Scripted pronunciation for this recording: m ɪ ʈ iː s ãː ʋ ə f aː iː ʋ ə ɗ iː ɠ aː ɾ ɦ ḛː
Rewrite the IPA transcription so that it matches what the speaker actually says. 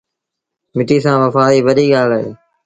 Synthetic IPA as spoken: m ɪ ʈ iː s ãː ʋ ə f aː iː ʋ ə ɗ iː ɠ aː l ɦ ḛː